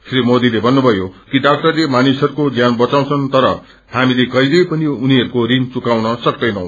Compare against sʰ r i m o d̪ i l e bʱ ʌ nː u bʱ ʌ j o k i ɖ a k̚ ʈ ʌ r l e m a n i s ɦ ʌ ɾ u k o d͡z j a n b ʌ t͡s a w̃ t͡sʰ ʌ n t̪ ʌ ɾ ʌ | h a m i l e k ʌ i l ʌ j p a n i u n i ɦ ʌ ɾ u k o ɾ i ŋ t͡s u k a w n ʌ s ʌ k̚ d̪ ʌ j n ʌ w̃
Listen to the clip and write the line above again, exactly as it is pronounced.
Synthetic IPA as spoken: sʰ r i m o d̪ i l e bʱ ʌ nː u bʱ ʌ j o k i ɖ a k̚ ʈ ʌ r l e m a n i s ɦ ʌ ɾ u k o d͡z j a n b ʌ t͡s a w̃ t͡sʰ ʌ n t̪ ʌ ɾ ʌ | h a m i l e k ʌ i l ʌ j p ʌ n i u n i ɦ ʌ ɾ u k o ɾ i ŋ t͡s u k a w n ʌ s ʌ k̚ d̪ ʌ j n ʌ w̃